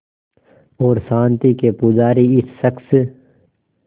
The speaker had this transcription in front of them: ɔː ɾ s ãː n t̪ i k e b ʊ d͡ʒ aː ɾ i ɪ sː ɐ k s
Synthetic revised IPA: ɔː ɾ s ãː n t̪ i k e p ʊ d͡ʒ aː ɾ i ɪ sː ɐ k s